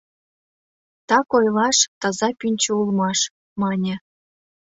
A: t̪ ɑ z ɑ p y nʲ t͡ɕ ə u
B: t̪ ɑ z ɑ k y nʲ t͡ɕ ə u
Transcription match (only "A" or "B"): A